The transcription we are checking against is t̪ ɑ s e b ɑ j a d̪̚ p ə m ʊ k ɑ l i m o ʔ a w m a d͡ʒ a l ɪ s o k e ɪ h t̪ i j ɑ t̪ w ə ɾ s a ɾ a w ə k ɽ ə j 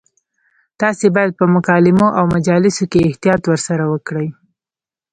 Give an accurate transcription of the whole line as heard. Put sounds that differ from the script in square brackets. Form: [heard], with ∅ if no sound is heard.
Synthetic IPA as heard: t̪ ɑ s e b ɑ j a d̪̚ p ə m ʊ k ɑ l [ɪ] m o ʔ a w m a d͡ʒ [ɑ] l ɪ s o k e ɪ h t̪ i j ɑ t̪ w ə ɾ s a ɾ a w ə k ɽ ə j